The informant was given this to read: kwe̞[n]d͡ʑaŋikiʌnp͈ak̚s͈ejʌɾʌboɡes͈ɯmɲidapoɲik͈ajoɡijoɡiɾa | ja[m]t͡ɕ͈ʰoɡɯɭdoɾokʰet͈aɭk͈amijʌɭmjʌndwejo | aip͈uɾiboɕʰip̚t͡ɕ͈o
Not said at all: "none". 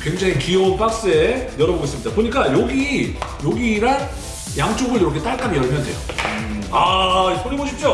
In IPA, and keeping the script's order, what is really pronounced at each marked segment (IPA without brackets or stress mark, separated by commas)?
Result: ŋ, ŋ